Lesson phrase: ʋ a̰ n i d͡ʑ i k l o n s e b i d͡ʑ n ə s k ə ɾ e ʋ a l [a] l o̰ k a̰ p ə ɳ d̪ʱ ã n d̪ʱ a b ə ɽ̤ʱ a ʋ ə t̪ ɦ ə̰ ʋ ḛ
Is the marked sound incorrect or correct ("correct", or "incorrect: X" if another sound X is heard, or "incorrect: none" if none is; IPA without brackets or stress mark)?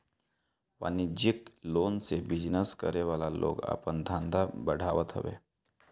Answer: correct